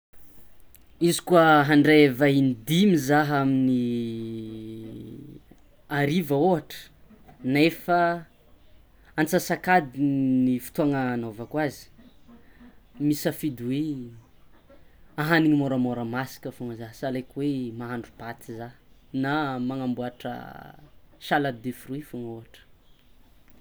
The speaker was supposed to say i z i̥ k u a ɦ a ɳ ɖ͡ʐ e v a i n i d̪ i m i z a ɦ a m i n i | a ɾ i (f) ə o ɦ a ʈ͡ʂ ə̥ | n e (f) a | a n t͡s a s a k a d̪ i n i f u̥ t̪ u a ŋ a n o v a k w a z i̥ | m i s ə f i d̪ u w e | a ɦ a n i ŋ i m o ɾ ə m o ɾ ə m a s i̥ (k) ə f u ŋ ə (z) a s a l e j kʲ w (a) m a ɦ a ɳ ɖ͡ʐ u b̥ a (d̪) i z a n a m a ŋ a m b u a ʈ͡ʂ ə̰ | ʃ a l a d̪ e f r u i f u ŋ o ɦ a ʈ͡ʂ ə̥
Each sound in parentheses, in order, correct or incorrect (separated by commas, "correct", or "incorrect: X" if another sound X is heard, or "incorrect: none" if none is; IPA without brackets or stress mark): incorrect: v, correct, correct, correct, incorrect: e, incorrect: t̪